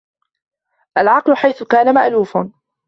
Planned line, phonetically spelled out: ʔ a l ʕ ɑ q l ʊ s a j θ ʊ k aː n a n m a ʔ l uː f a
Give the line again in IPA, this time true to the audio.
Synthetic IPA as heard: ʔ a l ʕ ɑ q l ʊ ħ a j θ ʊ k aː n a m a ʔ l uː f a

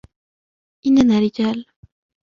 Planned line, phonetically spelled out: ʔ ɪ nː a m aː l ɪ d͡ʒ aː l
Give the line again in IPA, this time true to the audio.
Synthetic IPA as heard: ʔ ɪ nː a n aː ɾ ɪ d͡ʒ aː l

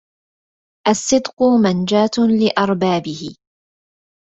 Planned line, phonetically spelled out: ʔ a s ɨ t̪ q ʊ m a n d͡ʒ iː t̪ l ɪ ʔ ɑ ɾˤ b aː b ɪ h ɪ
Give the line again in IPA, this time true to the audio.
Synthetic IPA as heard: ʔ a sː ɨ d̪ q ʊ m a n d͡ʒ aː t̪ l ɪ ʔ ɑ ɾˤ b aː b ɪ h ɪ

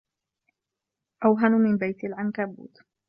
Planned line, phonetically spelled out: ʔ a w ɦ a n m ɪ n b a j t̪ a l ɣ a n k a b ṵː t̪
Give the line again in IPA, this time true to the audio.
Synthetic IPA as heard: ʔ a w ɦ a n m ɪ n b a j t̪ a l ʕ a n k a b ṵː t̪

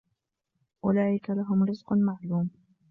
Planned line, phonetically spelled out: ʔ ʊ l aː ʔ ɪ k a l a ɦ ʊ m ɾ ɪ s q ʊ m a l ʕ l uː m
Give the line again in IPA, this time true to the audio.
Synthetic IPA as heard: ʔ ʊ l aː ʔ ɪ k a l a ɦ ʊ m ɾ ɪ z q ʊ m a ʕ l uː m

